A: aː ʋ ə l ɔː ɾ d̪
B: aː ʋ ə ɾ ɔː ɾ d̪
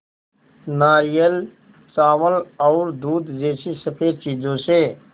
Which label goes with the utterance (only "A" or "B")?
A